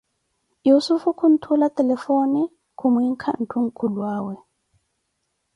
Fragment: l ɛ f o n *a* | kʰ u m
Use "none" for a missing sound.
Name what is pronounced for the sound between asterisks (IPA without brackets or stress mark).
i